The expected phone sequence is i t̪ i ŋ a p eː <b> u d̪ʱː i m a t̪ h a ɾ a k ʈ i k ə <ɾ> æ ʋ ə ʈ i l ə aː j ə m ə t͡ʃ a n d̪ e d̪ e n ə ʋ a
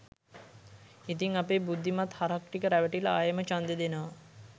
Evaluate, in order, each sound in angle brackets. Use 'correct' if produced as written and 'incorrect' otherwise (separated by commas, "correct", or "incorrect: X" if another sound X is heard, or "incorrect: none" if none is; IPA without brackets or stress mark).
correct, correct